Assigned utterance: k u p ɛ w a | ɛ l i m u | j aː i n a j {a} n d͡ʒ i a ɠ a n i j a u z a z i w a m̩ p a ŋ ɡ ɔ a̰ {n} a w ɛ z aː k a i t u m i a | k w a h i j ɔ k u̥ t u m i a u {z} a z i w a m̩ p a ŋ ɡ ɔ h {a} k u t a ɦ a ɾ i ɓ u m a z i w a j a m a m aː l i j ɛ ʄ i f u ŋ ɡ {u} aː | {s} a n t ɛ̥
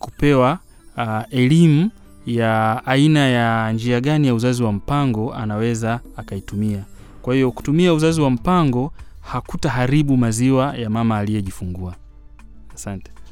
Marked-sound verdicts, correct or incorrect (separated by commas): correct, correct, correct, correct, correct, correct